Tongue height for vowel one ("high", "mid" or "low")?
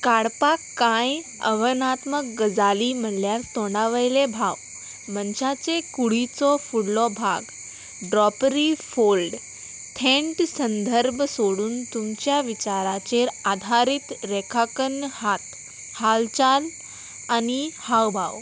low